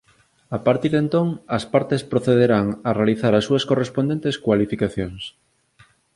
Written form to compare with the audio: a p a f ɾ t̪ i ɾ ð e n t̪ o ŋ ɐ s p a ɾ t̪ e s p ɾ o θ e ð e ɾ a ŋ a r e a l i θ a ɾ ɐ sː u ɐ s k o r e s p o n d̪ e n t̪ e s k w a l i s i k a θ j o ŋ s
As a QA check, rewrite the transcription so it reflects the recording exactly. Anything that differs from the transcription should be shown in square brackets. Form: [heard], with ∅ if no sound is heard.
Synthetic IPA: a p a [∅] ɾ t̪ i ɾ ð e n t̪ o ŋ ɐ s p a ɾ t̪ e s p ɾ o θ e ð e ɾ a ŋ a r e a l i θ a ɾ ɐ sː u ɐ s k o r e s p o n d̪ e n t̪ e s k w a l i [f] i k a θ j o ŋ s